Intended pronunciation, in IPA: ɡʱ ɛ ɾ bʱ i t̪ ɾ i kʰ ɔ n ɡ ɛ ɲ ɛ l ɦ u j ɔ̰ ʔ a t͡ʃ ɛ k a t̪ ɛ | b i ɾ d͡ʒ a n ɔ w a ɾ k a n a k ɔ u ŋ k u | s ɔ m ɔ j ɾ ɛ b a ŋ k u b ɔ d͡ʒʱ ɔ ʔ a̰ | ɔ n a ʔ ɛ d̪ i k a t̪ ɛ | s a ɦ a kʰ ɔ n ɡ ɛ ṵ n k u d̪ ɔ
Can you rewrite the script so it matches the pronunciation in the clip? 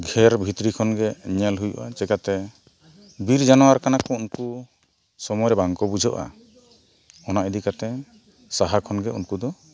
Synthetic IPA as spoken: ɡʱ ɛ ɾ bʱ i t̪ ɾ i kʰ ɔ n ɡ ɛ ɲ ɛ l ɦ u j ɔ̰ ʔ a t͡ʃ ɛ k a t̪ ɛ | b i ɾ d͡ʒ a n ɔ w a ɾ k a n a k ɔ u n k u | s ɔ m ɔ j ɾ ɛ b a ŋ k ɔ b u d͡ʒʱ ɔ ʔ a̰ | ɔ n a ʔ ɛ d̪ i k a t̪ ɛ | s a ɦ a kʰ ɔ n ɡ ɛ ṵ n k u d̪ ɔ